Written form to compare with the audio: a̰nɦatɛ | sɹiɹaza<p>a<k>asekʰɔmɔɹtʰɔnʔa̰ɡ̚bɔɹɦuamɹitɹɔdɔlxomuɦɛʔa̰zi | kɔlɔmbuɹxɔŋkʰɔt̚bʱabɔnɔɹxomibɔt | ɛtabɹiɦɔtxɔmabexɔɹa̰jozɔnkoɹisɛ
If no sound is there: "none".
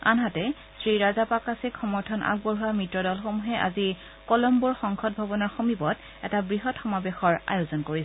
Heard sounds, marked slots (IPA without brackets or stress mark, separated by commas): p, k